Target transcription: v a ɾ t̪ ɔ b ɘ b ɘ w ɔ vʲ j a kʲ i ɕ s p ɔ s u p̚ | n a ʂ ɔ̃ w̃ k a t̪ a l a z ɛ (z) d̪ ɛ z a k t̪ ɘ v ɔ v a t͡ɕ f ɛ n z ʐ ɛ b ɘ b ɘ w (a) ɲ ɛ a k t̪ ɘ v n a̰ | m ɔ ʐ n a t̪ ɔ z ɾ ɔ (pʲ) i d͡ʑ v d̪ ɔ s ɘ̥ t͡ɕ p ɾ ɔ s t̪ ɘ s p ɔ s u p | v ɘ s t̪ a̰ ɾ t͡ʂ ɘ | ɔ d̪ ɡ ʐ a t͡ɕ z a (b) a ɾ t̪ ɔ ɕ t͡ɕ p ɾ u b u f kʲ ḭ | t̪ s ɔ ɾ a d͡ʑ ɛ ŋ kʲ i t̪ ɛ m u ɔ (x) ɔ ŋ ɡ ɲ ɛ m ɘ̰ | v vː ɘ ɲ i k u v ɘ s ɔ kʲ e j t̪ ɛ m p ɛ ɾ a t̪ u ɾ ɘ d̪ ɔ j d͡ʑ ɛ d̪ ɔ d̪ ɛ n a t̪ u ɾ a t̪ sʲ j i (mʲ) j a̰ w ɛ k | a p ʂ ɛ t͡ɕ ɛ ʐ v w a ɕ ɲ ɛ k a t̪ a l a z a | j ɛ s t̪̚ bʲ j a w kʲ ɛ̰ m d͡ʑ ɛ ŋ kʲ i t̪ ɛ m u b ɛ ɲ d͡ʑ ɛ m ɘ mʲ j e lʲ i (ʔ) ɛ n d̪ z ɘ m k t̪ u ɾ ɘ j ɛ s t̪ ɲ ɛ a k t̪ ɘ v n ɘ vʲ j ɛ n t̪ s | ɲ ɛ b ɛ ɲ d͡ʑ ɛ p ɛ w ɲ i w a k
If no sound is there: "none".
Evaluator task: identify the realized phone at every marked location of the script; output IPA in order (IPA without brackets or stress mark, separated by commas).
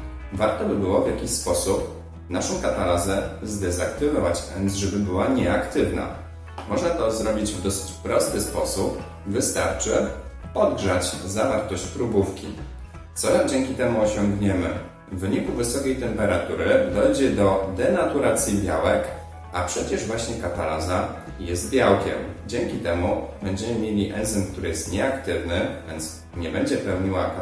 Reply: z, a, bʲ, v, ɕ, bʲ, ʔ